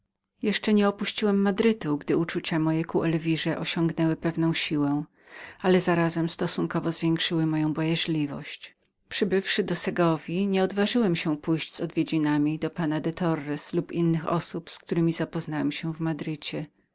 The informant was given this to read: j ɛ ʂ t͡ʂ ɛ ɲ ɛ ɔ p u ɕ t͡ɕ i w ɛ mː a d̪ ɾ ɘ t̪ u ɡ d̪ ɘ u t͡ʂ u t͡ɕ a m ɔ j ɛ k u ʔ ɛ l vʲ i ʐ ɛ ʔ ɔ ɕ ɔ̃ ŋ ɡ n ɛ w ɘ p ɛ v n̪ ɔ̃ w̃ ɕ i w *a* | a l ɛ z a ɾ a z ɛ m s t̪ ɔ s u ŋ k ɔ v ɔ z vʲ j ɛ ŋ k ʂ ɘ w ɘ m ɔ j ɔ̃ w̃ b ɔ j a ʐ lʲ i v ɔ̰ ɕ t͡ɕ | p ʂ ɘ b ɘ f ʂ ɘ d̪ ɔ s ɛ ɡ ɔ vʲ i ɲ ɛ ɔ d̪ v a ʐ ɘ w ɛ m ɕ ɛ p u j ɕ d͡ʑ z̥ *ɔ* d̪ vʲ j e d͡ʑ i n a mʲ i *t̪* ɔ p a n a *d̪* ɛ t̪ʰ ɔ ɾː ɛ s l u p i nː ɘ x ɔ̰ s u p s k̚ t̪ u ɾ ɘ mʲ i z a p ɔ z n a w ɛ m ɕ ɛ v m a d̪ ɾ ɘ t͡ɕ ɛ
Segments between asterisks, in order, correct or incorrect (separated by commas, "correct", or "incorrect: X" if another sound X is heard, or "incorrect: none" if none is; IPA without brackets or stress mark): incorrect: ɛ, correct, incorrect: d̪, correct